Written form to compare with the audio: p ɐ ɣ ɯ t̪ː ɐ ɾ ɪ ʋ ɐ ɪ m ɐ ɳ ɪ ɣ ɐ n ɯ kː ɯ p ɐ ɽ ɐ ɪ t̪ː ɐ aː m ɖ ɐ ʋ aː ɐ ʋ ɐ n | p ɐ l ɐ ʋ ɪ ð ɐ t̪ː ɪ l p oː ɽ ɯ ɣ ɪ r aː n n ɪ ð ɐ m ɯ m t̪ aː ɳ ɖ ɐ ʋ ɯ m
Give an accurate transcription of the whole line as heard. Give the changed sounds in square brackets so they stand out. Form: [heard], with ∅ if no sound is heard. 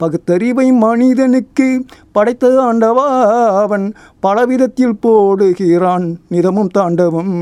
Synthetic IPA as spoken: p ɐ ɣ ɯ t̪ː ɐ ɾ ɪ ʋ ɐ ɪ m ɐ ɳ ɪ [ð] ɐ n ɯ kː ɯ p ɐ ɽ ɐ ɪ t̪ː ɐ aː [ɳ] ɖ ɐ ʋ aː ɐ ʋ ɐ n | p ɐ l ɐ ʋ ɪ ð ɐ t̪ː ɪ l p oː ɽ ɯ ɣ ɪ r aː n n ɪ ð ɐ m ɯ m t̪ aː ɳ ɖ ɐ ʋ ɯ m